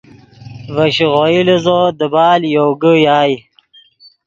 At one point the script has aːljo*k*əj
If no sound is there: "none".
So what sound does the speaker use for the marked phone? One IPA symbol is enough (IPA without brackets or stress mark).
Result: ɡ